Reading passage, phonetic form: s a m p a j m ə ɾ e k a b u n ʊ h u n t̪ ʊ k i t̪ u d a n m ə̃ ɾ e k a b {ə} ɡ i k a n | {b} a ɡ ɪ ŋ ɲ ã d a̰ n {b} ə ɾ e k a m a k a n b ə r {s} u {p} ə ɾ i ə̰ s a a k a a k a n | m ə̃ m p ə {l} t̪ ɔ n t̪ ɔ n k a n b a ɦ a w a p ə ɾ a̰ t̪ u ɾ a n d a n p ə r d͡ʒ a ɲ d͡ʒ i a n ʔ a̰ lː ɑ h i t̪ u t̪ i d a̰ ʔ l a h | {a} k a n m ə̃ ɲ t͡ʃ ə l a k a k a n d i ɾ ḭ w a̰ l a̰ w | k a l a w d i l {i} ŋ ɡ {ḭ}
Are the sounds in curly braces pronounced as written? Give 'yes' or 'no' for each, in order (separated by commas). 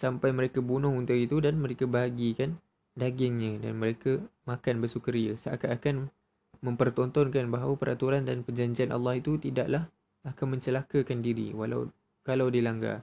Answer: no, no, no, yes, no, no, yes, no, no